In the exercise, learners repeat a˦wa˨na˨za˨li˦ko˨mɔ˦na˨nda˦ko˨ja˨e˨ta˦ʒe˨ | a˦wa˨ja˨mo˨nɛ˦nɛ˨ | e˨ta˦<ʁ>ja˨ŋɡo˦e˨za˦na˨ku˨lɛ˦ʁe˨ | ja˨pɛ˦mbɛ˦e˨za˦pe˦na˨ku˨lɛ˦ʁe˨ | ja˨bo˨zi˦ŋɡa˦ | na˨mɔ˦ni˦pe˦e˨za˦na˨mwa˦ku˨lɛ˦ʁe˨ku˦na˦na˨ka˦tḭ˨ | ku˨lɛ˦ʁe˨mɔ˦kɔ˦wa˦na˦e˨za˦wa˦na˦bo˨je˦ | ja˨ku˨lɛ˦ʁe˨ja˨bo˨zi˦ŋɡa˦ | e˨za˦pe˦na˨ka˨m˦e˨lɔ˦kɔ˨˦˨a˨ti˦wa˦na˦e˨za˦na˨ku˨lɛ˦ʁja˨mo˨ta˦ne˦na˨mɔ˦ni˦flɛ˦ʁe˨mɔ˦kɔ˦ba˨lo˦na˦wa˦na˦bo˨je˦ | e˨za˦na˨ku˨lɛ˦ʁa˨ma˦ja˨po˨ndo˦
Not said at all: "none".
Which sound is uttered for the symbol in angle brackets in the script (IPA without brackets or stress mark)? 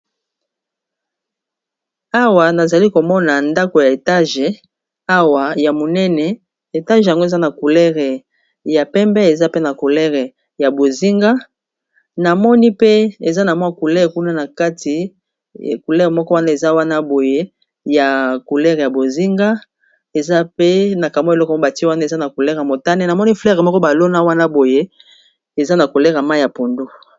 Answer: ʒ